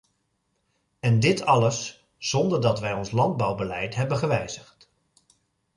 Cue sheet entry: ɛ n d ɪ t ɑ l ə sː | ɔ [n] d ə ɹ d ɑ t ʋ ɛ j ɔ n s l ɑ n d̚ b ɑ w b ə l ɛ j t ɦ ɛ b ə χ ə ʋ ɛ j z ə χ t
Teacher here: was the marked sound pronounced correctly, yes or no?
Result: yes